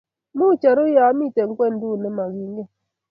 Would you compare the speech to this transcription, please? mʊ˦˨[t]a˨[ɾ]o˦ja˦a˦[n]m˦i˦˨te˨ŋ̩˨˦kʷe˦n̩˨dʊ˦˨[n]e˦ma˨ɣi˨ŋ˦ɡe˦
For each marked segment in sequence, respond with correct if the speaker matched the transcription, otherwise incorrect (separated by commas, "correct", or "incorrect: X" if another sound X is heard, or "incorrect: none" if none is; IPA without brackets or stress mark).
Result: incorrect: t͡ʃ, correct, incorrect: none, correct